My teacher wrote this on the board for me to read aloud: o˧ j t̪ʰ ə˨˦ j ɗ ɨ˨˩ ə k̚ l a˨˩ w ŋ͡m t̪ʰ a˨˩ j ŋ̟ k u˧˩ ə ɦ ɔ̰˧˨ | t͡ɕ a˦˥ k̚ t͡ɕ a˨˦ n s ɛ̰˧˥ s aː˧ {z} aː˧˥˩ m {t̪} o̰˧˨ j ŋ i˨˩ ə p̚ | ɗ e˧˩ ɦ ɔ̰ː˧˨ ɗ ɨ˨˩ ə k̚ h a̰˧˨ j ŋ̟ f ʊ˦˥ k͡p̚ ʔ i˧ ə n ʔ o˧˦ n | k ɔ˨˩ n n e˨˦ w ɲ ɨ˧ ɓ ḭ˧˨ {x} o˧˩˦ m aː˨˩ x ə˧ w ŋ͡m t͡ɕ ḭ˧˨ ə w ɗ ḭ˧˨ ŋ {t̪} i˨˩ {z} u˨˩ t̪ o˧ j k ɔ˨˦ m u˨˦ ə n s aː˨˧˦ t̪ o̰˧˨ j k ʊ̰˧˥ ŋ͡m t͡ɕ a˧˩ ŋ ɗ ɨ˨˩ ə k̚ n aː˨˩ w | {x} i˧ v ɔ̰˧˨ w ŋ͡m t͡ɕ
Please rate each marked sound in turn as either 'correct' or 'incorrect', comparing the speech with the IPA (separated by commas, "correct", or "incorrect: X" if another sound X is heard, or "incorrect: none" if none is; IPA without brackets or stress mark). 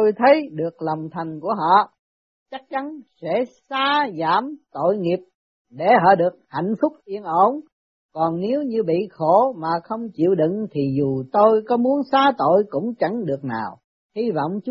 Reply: correct, correct, correct, incorrect: t̪ʰ, correct, incorrect: h